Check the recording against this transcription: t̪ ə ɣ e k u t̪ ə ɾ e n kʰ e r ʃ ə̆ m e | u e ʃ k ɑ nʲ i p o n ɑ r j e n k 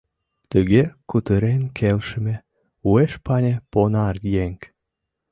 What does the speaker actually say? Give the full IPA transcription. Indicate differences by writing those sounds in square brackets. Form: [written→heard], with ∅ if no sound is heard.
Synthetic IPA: t̪ ə ɣ e k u t̪ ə ɾ e n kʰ e [r→l] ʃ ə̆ m e | u e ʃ [k→p] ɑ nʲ [i→e] p o n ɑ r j e [n→ŋ] k